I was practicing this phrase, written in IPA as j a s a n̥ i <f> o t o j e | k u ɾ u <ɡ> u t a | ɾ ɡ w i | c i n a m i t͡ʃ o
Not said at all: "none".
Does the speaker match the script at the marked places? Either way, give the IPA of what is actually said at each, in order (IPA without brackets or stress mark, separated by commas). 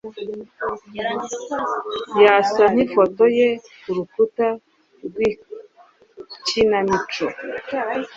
f, k